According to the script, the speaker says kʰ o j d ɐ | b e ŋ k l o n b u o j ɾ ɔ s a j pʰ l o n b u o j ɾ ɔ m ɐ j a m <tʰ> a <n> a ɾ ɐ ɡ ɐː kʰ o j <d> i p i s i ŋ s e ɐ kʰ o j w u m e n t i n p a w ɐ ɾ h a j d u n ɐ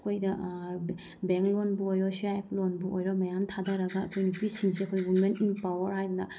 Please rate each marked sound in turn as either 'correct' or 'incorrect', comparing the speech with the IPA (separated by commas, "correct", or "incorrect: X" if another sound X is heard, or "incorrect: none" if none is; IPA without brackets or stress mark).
correct, incorrect: d, incorrect: n